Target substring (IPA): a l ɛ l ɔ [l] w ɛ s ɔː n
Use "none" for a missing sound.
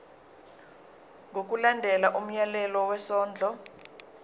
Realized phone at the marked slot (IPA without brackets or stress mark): none